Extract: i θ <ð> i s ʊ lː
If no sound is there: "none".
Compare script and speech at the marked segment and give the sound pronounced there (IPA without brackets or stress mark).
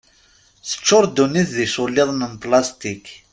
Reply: ð